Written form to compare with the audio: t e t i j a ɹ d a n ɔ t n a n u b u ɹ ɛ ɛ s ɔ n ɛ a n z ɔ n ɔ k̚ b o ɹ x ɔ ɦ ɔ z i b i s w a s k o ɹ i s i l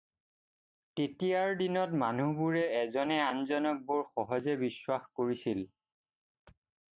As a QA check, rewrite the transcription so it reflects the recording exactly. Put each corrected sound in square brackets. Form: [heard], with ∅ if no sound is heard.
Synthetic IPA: t e t i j a ɹ d [i] n ɔ t [m] a n u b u ɹ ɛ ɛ [z] ɔ n ɛ a n z ɔ n ɔ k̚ b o ɹ x ɔ ɦ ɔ z [ɛ] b i s w a [x] k o ɹ i s i l